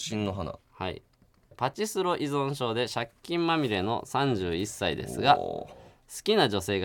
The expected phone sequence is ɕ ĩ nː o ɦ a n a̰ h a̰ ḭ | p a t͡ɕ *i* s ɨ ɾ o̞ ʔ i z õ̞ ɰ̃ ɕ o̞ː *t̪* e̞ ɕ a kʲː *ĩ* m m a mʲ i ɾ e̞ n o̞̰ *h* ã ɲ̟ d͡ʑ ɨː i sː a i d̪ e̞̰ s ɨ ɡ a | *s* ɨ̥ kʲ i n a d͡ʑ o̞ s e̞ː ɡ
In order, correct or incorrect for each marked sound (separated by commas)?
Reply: correct, incorrect, correct, incorrect, correct